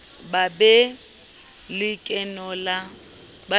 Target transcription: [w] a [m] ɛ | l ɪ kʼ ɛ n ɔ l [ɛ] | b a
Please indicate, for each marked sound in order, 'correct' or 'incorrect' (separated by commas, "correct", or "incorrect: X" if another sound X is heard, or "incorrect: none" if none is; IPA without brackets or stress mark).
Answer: incorrect: b, incorrect: b, incorrect: a